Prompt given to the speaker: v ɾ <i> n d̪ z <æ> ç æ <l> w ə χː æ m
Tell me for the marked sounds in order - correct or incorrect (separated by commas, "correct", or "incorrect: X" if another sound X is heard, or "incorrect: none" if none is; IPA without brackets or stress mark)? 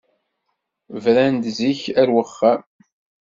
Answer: incorrect: æ, incorrect: i, incorrect: ɾ